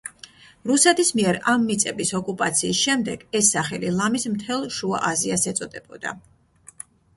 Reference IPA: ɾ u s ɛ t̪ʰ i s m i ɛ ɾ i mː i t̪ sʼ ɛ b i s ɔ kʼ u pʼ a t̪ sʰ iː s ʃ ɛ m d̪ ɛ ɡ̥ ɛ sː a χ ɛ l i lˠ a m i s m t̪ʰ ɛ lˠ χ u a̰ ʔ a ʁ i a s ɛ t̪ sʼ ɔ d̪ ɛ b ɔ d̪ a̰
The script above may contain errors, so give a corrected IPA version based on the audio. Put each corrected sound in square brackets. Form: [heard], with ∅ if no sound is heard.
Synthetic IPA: ɾ u s ɛ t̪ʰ i s m i ɛ ɾ [a] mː i t̪ sʼ ɛ b i s ɔ kʼ u pʼ a t̪ sʰ iː s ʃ ɛ m d̪ ɛ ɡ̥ ɛ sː a χ ɛ l i lˠ a m i s m t̪ʰ ɛ lˠ [ʃ] u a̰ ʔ a [z] i a s ɛ t̪ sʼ ɔ d̪ ɛ b ɔ d̪ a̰